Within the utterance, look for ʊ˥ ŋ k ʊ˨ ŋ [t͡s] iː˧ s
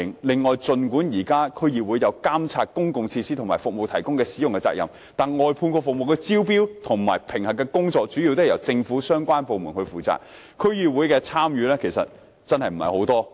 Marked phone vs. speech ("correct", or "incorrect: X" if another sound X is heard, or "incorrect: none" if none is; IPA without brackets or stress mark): incorrect: t͡sʰ